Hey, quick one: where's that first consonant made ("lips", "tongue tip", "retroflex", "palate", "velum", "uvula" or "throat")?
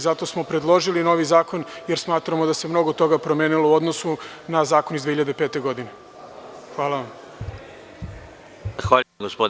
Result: tongue tip